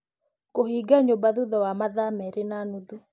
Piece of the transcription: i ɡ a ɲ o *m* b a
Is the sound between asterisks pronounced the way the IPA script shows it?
no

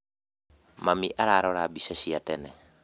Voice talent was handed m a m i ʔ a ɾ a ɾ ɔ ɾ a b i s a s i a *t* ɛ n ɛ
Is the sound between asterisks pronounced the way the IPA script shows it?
yes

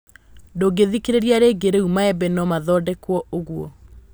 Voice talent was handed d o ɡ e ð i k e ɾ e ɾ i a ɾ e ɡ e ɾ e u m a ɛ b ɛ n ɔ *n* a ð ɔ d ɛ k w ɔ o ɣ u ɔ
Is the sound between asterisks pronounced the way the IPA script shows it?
no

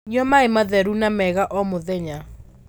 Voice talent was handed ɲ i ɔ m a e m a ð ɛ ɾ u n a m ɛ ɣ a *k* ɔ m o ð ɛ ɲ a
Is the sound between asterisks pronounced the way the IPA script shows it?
no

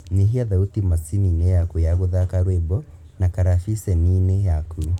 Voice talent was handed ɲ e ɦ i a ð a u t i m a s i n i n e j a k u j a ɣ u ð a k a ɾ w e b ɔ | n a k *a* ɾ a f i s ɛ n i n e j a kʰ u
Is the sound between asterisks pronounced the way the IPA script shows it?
yes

